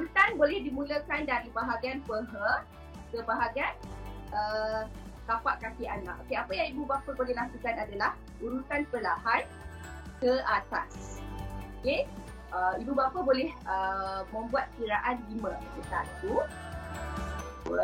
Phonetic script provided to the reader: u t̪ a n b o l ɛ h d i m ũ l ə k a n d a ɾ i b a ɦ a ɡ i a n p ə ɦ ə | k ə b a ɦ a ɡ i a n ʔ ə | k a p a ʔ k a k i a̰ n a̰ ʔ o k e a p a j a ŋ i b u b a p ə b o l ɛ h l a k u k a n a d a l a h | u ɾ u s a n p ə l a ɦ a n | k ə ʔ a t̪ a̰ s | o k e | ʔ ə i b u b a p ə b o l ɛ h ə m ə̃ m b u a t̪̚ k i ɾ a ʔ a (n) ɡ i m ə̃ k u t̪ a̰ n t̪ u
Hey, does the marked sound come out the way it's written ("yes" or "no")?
yes